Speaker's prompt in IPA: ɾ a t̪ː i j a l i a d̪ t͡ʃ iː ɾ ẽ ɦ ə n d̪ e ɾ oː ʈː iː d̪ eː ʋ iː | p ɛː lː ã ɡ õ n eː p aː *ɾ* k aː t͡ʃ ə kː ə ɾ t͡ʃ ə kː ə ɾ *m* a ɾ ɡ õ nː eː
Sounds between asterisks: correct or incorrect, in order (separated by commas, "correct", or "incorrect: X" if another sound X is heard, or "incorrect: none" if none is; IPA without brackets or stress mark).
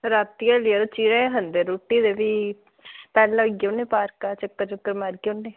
correct, correct